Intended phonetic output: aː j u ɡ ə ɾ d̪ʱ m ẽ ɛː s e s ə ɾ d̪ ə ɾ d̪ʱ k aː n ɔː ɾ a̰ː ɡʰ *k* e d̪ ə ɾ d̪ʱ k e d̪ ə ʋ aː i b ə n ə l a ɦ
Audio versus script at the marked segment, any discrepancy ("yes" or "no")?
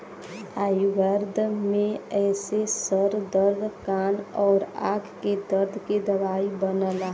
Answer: no